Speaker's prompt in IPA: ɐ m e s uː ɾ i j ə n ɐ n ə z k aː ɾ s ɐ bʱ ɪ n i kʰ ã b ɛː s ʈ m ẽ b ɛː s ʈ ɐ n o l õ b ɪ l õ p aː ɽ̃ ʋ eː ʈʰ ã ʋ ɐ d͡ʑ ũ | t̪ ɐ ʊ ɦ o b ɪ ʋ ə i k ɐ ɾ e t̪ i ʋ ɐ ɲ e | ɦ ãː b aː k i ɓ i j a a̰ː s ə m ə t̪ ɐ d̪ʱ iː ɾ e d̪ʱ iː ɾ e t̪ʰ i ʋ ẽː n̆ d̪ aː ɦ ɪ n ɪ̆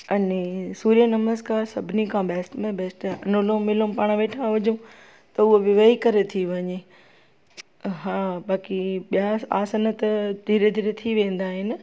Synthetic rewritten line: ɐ n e s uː ɾ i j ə n ɐ m ə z k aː ɾ s ɐ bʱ ɪ n i kʰ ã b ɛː s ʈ m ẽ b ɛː s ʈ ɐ n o l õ m ɪ l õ p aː ɽ̃ ʋ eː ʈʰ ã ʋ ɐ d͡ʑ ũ | t̪ ɐ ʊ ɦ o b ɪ ʋ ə i k ɐ ɾ e t̪ʰ i ʋ ɐ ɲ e | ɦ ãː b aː k i ɓ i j a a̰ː s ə n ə t̪ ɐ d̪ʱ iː ɾ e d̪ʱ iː ɾ e t̪ʰ i ʋ ẽː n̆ d̪ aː ɦ ɪ n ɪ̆